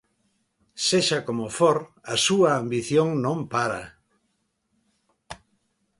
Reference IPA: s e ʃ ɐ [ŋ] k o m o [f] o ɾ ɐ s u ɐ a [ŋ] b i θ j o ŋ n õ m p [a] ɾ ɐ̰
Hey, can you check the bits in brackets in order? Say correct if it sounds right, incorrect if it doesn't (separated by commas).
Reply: incorrect, correct, incorrect, correct